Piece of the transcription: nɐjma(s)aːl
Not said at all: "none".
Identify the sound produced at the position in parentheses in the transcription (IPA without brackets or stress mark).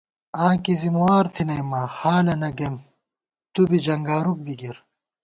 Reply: h